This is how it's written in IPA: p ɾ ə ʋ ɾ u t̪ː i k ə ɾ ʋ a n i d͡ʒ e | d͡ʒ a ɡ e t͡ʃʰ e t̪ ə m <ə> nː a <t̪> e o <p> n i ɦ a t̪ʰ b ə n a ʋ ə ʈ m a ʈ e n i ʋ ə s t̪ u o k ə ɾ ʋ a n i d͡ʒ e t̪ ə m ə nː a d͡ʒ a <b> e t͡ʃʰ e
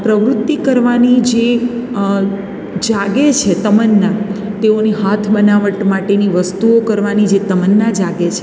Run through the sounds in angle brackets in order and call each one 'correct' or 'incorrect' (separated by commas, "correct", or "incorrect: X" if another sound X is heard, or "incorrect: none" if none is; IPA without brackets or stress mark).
correct, correct, incorrect: none, incorrect: ɡ